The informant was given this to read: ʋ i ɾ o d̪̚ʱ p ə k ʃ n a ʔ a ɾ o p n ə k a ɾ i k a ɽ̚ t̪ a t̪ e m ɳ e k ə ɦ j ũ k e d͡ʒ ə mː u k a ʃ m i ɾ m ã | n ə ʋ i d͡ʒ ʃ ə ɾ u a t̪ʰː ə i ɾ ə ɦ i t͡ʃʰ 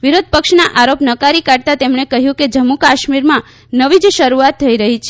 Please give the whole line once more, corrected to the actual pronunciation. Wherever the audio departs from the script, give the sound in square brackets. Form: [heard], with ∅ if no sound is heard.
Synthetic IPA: ʋ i ɾ o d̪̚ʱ p ə k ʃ n a ʔ a ɾ o p n ə k a ɾ i k a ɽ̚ t̪ a t̪ e m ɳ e k ə ɦ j ũ k e d͡ʒ ə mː u k a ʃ m i ɾ m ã | n ə ʋ i d͡ʒ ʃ ə ɾ u a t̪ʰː ə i ɾ ə ɦ i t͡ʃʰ